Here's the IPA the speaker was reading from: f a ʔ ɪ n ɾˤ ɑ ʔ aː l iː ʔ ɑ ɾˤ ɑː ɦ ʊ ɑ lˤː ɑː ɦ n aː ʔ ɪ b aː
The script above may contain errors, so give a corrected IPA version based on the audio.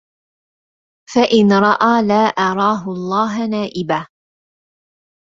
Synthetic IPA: f a ʔ ɪ n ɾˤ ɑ ʔ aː l aː ʔ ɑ ɾˤ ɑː ɦ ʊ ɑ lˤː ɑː ɦ n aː ʔ ɪ b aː

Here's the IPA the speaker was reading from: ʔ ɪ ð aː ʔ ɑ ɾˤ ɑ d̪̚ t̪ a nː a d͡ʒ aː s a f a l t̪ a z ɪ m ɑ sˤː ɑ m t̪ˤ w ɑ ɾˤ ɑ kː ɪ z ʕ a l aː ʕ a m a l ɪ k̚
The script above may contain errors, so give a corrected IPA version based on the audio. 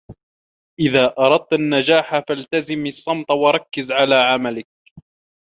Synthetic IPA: ʔ ɪ ð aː ʔ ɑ ɾˤ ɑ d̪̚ t̪ a nː a d͡ʒ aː ħ a f a l t̪ a z ɪ m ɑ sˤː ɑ m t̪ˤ w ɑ ɾˤ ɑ kː ɪ z ʕ a l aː ʕ a m a l ɪ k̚

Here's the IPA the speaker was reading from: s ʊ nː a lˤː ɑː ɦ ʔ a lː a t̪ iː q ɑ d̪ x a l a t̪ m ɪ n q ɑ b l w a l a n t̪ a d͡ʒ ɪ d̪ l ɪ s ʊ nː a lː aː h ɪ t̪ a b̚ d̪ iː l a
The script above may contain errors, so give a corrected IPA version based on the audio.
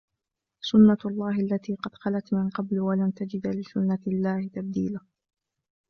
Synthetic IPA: s ʊ nː a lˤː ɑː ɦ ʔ a lː a t̪ iː q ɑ d̪ x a l a t̪ m ɪ n q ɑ b l w a l a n t̪ a d͡ʒ ɪ d̪ l ɪ s ʊ nː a lː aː h ɪ t̪ a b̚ d̪ iː l a

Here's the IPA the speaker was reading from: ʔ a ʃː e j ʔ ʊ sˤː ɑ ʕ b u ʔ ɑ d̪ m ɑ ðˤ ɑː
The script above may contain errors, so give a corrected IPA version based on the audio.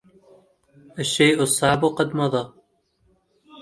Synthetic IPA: ʔ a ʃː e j ʔ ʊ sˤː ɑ ʕ b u q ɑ d̪ m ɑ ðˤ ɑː

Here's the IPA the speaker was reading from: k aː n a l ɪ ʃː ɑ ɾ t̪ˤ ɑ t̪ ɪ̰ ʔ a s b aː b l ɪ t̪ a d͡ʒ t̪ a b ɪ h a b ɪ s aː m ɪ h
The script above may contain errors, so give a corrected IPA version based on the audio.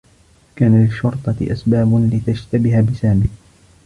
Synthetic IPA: k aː n a l ɪ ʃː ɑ ɾ t̪ˤ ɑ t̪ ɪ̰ ʔ a s b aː b l ɪ t̪ a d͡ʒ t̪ a b ɪ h a b ɪ s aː m ɪ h

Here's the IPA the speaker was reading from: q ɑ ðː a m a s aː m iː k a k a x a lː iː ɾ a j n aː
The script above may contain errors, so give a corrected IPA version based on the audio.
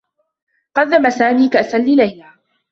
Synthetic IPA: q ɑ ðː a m a s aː m iː k a ʔ a s a lː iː l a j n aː

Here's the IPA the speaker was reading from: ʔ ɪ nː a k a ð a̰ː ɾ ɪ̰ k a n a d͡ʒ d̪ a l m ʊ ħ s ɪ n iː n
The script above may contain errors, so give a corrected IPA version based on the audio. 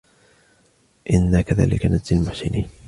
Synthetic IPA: ʔ ɪ nː a k a ð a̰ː l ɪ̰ k a n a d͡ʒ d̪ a l m ʊ ħ s ɪ n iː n

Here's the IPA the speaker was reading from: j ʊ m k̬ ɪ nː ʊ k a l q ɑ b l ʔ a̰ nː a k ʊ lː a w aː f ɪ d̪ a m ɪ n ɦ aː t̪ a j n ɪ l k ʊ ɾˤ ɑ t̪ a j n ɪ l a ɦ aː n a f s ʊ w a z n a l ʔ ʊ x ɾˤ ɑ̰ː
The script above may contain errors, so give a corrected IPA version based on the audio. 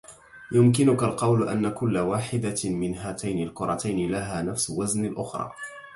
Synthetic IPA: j ʊ m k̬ ɪ n ʊ k a l q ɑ w l ʔ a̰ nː a k ʊ lː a w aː ħ ɪ d̪ a m ɪ n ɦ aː t̪ a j n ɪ l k ʊ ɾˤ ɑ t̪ a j n ɪ l a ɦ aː n a f s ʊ w a z n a l ʔ ʊ x ɾˤ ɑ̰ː

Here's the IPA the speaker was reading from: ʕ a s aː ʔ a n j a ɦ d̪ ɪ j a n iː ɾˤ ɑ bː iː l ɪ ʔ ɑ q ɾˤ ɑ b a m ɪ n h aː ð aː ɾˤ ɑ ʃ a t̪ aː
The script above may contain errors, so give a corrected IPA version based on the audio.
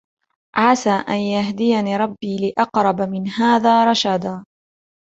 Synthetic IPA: ʕ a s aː ʔ a n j a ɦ d̪ ɪ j a n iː ɾˤ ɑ bː iː l ɪ ʔ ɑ q ɾˤ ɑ b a m ɪ n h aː ð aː ɾˤ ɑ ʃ a d̪ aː

